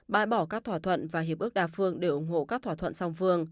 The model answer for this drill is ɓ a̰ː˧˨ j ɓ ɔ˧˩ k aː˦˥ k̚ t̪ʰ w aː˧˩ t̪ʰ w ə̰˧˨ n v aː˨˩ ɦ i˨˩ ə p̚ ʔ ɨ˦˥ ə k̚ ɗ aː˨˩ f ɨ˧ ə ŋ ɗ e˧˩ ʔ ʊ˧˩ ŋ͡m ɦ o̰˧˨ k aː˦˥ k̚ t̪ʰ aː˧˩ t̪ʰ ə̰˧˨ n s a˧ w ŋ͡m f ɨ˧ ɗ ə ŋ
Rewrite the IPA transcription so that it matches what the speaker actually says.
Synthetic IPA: ɓ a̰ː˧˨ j ɓ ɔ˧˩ k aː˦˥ k̚ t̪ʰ w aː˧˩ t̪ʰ w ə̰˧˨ n v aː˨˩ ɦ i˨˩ ə p̚ ʔ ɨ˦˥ ə k̚ ɗ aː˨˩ f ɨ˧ ə ŋ ɗ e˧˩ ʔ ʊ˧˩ ŋ͡m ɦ o̰˧˨ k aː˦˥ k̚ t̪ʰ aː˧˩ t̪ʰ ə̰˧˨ n s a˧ w ŋ͡m f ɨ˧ ə ŋ